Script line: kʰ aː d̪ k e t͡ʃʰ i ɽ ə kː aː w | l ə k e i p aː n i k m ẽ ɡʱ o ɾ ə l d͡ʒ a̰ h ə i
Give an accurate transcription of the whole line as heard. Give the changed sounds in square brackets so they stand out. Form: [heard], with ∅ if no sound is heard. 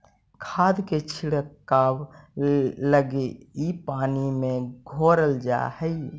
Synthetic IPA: kʰ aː d̪ k e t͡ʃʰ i ɽ ə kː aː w | l ə [ɡ] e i p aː n i [∅] m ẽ ɡʱ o ɾ ə l d͡ʒ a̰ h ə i